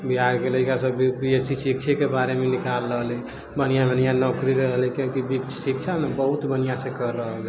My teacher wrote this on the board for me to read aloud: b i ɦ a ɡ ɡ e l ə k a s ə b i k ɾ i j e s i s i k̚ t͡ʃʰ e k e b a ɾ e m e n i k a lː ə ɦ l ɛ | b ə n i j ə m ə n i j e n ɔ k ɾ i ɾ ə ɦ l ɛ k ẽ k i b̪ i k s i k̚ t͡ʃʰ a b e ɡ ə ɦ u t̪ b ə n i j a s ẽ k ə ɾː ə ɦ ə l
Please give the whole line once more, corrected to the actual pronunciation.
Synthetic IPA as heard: b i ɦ a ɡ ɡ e l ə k a s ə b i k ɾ i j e s i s i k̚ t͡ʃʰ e k e b a ɾ e m e n i k a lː ə ɦ l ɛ | b ə n i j a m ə n i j a n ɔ k ɾ i ɾ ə ɦ l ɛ k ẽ k i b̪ i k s i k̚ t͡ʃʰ a m e b ə ɦ u t̪ b ə n i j a s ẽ k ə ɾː ə ɦ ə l